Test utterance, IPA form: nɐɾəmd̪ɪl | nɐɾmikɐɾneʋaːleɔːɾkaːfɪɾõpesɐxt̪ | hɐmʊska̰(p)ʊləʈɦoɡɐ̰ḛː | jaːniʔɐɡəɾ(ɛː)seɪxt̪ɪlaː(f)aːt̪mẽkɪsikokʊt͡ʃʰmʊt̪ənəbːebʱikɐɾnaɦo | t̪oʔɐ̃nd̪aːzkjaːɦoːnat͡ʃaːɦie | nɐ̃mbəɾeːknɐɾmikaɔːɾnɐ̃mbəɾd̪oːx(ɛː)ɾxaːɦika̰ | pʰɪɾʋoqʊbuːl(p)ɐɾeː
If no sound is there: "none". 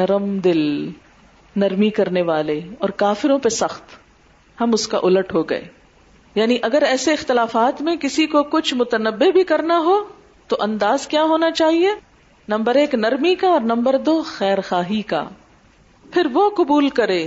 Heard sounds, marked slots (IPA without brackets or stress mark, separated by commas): ʔ, ɛː, f, ɛː, k